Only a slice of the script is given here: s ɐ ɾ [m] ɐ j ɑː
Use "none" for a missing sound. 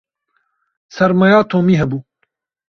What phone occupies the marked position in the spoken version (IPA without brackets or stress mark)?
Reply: m